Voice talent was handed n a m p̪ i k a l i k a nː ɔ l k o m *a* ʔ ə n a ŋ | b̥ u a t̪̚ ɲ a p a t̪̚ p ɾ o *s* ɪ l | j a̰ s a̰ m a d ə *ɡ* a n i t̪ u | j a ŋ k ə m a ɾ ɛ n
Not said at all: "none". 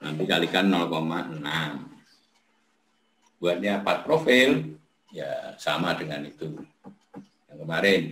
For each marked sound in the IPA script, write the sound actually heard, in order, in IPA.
a, f, ŋ

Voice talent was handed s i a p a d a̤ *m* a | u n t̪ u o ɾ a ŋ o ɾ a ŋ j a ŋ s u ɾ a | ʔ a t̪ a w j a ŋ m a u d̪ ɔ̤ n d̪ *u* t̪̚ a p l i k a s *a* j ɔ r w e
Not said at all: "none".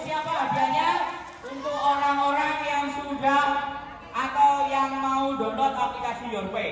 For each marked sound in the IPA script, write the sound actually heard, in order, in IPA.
ɲ, ɔ, i

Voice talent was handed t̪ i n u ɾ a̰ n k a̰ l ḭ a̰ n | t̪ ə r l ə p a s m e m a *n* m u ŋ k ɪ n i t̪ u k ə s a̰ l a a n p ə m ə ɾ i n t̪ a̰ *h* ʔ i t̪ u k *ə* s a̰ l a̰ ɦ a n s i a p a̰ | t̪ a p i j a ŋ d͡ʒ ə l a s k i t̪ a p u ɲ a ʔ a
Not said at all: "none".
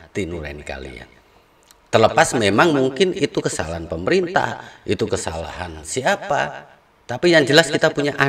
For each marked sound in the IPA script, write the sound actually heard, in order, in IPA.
ŋ, h, ə

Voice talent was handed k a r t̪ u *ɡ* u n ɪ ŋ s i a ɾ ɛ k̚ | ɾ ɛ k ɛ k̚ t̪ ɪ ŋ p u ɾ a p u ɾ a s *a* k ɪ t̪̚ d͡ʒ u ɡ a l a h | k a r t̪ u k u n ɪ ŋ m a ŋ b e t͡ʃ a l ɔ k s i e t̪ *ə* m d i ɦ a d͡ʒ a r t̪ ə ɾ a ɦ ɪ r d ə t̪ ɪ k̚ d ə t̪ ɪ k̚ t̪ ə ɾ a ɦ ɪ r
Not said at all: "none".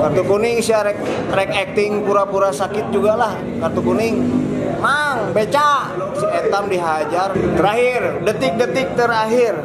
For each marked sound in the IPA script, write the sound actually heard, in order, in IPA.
k, a, a

